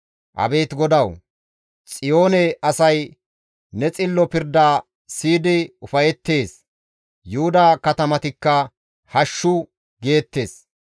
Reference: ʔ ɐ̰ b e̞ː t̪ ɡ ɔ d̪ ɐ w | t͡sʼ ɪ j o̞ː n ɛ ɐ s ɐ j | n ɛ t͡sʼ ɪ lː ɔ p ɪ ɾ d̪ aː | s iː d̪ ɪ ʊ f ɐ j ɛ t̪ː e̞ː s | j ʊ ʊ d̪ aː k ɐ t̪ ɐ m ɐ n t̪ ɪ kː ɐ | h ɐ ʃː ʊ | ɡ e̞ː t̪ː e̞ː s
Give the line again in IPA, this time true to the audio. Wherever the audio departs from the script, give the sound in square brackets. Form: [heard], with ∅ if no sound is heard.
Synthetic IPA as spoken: ʔ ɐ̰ b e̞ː t̪ ɡ ɔ d̪ ɐ w | t͡sʼ ɪ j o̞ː n ɛ ɐ s ɐ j | n ɛ t͡sʼ ɪ lː ɔ p ɪ ɾ d̪ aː | s iː d̪ ɪ ʊ f ɐ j ɛ t̪ː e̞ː s | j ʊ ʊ d̪ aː k ɐ t̪ ɐ m ɐ [∅] t̪ ɪ kː ɐ | h ɐ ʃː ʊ | ɡ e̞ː t̪ː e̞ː s